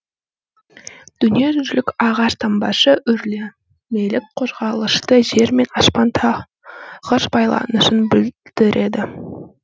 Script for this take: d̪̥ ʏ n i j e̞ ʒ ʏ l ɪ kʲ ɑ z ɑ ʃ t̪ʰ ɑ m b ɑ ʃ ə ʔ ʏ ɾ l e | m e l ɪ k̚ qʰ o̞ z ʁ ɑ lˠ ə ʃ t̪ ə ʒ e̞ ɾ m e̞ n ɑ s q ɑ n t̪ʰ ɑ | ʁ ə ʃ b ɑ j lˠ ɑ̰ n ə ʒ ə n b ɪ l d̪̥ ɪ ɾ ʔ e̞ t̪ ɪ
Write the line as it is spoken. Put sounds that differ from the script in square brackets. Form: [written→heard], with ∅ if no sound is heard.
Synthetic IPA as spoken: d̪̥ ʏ n i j e̞ ʒ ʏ l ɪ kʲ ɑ [z→ʁ] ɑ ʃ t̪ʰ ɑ m b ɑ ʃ ə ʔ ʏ ɾ l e | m e l ɪ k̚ qʰ o̞ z ʁ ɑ lˠ ə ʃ t̪ ə ʒ e̞ ɾ m e̞ n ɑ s [q→p] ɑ n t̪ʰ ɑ | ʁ ə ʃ b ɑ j lˠ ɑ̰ n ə [ʒ→ʃ] ə n b ɪ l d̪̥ ɪ ɾ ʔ e̞ [t̪→d̪] ɪ